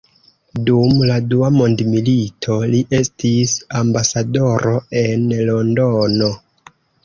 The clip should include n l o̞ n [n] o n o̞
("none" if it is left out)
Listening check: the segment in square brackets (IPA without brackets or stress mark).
d